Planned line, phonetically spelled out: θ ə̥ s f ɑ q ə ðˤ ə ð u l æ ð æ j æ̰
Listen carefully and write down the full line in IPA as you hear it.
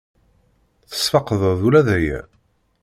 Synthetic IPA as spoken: θ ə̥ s f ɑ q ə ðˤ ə ð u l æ ð æ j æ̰

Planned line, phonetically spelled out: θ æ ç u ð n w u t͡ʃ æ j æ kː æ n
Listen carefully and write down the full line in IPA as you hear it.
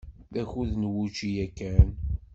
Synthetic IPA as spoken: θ æ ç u ð n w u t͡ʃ i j æ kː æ n

